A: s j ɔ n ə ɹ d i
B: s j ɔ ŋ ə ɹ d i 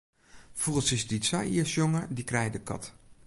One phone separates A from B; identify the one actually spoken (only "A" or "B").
B